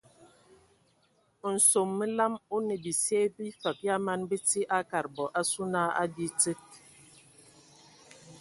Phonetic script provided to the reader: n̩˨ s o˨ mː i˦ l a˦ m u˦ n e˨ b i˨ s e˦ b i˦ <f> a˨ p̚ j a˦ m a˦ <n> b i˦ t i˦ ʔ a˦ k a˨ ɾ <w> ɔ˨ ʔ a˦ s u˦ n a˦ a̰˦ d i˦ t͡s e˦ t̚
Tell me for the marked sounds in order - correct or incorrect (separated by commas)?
correct, correct, incorrect